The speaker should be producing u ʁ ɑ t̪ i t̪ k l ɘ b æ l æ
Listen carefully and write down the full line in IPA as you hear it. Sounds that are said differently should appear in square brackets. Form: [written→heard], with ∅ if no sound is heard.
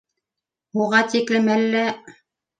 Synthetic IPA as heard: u ʁ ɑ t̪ i [t̪→∅] k l ɘ [b→m] æ [l→lː] æ

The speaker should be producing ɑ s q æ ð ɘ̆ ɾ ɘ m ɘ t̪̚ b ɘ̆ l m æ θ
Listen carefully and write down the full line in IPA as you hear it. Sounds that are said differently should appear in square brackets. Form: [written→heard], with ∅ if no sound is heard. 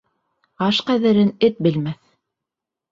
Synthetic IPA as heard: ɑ [s→ʃ] q æ ð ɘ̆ ɾ ɘ [m→n] ɘ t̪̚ b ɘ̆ l m æ θ

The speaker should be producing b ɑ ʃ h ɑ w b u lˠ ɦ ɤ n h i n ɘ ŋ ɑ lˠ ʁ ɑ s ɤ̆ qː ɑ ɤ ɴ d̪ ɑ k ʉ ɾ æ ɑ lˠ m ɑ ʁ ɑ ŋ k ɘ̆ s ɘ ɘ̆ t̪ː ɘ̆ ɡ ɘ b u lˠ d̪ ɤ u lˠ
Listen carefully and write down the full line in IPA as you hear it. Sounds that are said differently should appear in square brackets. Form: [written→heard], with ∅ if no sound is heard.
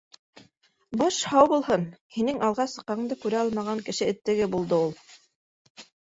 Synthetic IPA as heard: b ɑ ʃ h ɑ w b u lˠ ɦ ɤ n h i n ɘ ŋ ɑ lˠ ʁ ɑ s ɤ̆ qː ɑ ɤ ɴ d̪ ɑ k ʉ ɾ æ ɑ lˠ m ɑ ʁ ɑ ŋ k ɘ̆ [s→ʃ] ɘ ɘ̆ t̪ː ɘ̆ ɡ ɘ b u lˠ d̪ ɤ u lˠ

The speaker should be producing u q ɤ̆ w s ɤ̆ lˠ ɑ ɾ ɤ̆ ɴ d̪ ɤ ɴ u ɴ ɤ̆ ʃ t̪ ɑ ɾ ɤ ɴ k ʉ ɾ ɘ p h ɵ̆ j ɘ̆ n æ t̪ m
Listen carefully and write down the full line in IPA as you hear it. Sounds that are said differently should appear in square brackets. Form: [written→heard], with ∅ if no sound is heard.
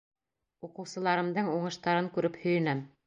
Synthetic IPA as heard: u q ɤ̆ w s ɤ̆ lˠ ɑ ɾ ɤ̆ [ɴ→m] d̪ ɤ ɴ u ɴ ɤ̆ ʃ t̪ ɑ ɾ ɤ [ɴ→ŋ] k ʉ ɾ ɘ p h ɵ̆ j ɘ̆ n æ [t̪→∅] m

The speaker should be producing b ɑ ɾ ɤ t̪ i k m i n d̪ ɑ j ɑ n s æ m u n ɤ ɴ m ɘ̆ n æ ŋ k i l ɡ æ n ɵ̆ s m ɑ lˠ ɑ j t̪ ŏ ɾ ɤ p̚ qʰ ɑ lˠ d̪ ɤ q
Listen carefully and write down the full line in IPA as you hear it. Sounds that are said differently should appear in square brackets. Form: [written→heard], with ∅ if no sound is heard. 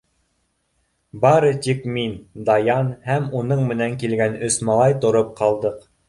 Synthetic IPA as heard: b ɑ ɾ ɤ t̪ i k m i n d̪ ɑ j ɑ n [s→h] æ m u n ɤ ɴ m ɘ̆ n æ ŋ k i l ɡ æ n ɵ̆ s m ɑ lˠ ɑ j t̪ ŏ ɾ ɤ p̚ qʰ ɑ lˠ d̪ ɤ q

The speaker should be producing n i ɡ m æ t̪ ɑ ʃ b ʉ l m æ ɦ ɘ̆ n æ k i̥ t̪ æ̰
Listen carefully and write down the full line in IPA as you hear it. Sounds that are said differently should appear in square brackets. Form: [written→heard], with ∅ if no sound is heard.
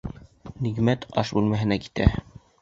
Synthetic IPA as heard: n i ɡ m æ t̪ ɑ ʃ b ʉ l m æ ɦ ɘ̆ n æ k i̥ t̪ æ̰

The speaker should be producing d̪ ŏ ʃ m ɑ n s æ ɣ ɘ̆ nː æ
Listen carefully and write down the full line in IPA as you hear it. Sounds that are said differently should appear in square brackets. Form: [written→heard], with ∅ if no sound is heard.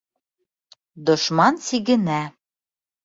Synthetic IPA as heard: d̪ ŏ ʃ m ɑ n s [æ→i] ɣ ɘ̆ [nː→n] æ

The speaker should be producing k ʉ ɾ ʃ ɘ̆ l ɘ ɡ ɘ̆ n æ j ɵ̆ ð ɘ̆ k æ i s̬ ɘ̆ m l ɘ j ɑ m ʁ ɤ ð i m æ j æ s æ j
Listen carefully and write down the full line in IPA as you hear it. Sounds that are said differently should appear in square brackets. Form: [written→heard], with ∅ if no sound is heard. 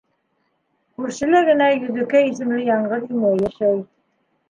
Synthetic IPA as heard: k ʉ ɾ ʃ ɘ̆ l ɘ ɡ ɘ̆ n æ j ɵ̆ ð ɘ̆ k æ i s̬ ɘ̆ m l ɘ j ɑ [m→ɴ] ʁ ɤ ð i m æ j æ [s→ʃ] æ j

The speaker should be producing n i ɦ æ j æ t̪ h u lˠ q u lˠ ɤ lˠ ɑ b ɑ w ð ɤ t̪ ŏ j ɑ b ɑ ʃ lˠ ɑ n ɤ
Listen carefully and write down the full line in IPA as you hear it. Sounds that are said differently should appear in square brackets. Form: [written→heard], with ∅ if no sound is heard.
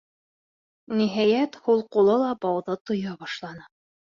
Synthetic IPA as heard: n i ɦ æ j æ t̪ h u lˠ q u lˠ ɤ lˠ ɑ b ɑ w ð ɤ t̪ ŏ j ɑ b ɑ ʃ lˠ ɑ n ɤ

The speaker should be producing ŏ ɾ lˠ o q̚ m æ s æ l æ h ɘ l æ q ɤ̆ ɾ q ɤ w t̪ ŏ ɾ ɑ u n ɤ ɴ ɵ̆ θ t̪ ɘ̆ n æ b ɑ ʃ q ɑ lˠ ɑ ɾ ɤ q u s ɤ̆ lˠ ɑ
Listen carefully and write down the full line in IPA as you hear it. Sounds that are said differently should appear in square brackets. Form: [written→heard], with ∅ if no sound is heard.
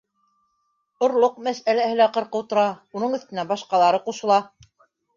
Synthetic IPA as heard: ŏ ɾ lˠ o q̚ m æ s æ l æ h ɘ l æ q ɤ̆ ɾ q ɤ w t̪ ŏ ɾ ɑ u n ɤ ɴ ɵ̆ θ t̪ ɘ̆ n æ b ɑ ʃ q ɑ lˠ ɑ ɾ ɤ q u [s→ʃ] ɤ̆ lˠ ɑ

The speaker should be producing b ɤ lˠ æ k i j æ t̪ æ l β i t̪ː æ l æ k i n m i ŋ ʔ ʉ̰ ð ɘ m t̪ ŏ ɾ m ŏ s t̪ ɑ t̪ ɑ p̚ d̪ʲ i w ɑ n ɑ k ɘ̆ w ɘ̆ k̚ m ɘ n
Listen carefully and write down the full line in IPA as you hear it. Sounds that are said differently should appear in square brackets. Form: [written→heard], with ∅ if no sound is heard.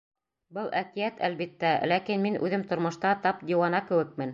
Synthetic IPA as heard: b ɤ lˠ æ k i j æ t̪ æ l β i t̪ː æ l æ k i n m i [ŋ→n] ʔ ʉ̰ ð ɘ m t̪ ŏ ɾ m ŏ [s→ʃ] t̪ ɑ t̪ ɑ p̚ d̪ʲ i w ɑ n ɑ k ɘ̆ w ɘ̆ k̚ m ɘ n

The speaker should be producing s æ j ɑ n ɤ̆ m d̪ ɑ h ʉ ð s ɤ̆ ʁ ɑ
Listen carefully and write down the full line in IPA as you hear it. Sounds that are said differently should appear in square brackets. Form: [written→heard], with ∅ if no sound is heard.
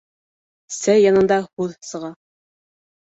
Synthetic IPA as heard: s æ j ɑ n ɤ̆ [m→n] d̪ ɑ h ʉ ð s ɤ̆ ʁ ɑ

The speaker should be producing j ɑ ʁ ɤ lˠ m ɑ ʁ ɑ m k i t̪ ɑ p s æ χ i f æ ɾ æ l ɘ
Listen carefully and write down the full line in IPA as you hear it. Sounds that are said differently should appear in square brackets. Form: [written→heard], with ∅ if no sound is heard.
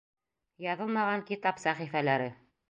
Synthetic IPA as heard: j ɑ [ʁ→ð] ɤ lˠ m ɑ ʁ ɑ [m→ŋ] k i t̪ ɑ p s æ χ i f æ [ɾ→l] æ [l→ɾ] ɘ

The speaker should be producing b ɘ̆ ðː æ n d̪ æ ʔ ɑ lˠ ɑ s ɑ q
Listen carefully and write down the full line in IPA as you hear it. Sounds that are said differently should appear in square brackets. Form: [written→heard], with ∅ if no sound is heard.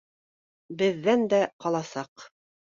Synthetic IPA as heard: b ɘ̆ ðː æ n d̪ æ [ʔ→q] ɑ lˠ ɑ s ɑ q

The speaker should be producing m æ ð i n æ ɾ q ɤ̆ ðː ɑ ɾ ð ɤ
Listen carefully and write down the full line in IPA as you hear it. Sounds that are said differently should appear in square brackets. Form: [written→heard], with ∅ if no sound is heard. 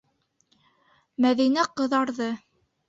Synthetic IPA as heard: m æ ð i n æ [ɾ→∅] q ɤ̆ [ðː→ð] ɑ ɾ ð ɤ

